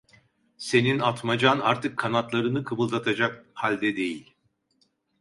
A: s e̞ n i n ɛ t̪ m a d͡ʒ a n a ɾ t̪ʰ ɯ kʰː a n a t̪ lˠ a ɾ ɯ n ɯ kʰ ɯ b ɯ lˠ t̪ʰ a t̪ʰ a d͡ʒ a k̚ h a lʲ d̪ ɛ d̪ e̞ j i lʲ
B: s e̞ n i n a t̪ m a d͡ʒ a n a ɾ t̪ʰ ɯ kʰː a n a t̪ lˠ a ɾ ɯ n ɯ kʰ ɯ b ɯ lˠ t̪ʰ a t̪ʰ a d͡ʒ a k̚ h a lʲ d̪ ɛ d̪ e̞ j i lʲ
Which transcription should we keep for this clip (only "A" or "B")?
B